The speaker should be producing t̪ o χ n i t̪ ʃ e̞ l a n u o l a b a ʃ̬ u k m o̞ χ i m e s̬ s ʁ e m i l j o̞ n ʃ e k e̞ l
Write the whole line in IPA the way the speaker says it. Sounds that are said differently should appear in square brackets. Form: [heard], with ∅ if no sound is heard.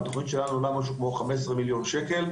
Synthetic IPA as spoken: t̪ o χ n i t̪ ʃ e̞ l a n u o l a [m] a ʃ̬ u k m o̞ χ [a] m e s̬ s ʁ e m i l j o̞ n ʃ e k e̞ l